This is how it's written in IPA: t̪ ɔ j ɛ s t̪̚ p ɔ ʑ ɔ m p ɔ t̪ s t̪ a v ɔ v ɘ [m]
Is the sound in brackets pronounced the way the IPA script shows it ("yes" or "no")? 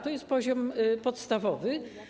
no